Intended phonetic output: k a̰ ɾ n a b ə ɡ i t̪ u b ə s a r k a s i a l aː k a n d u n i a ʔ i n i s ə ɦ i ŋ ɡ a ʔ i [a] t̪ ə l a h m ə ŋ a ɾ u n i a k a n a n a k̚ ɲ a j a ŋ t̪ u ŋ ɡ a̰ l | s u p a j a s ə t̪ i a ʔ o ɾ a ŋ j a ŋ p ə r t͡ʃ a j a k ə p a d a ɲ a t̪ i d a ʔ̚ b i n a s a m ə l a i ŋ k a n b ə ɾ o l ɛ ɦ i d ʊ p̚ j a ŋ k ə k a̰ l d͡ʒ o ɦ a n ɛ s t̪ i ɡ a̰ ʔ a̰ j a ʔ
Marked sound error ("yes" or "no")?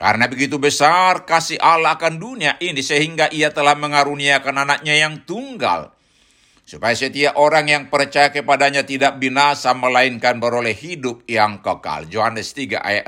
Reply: no